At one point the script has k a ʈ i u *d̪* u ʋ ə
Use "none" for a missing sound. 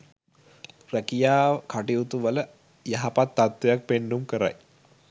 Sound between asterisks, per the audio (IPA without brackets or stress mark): t̪